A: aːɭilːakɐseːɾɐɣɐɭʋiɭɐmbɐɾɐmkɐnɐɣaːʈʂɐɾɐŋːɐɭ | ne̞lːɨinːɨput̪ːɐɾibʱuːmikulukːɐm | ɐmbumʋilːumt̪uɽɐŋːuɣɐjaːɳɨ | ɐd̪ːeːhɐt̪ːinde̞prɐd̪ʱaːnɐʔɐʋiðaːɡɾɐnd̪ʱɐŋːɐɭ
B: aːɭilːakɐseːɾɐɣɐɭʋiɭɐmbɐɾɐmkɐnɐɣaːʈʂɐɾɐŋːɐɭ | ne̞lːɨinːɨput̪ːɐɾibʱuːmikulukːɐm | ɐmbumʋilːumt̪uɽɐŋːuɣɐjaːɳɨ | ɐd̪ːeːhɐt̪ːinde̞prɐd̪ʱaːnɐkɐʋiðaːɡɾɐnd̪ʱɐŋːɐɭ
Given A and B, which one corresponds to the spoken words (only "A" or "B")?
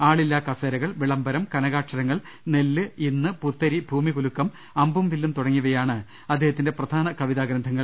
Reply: B